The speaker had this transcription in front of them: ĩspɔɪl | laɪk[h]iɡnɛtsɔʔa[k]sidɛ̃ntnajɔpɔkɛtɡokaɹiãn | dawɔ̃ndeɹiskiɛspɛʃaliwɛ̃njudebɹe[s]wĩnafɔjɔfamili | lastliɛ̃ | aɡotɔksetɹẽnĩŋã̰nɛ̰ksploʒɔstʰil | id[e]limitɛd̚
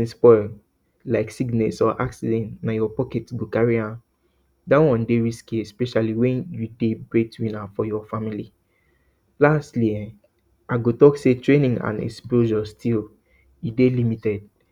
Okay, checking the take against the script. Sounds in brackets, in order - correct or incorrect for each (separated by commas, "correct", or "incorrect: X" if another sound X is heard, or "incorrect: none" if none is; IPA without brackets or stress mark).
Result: incorrect: s, correct, incorrect: t, correct